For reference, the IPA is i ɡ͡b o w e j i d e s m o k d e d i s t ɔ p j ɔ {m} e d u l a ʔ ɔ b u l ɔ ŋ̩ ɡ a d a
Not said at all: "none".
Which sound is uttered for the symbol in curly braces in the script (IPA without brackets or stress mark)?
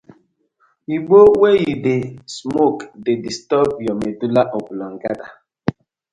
m